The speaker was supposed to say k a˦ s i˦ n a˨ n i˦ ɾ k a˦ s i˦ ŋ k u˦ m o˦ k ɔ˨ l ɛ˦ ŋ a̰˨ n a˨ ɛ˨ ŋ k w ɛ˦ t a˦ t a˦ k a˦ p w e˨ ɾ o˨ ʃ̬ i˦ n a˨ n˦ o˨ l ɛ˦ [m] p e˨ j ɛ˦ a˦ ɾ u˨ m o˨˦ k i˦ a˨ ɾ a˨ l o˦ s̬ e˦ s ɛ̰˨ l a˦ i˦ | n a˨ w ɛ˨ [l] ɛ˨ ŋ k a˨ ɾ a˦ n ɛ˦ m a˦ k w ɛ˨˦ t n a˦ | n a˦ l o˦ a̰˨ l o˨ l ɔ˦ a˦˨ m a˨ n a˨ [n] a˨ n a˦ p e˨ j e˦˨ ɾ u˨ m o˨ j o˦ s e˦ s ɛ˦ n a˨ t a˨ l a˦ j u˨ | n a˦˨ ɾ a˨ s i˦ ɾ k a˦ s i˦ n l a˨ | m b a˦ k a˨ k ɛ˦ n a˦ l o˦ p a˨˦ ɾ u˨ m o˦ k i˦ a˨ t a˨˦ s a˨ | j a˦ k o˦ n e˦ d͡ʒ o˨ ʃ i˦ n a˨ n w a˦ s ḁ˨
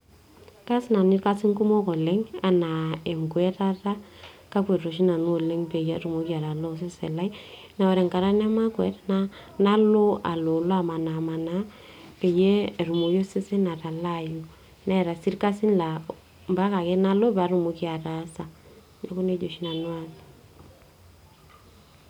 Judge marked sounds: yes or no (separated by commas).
no, no, no